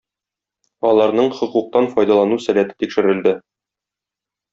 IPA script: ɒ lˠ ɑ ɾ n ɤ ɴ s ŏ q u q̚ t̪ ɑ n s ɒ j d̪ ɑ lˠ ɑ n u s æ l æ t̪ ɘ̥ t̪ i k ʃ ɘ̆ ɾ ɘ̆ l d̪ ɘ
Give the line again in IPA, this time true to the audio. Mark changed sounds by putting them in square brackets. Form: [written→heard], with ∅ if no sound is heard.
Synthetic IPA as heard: ɒ lˠ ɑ ɾ n ɤ ɴ [s→χ] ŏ q u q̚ t̪ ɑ n [s→f] ɒ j d̪ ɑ lˠ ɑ n u s æ l æ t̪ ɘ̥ t̪ i k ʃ ɘ̆ ɾ ɘ̆ l d̪ ɘ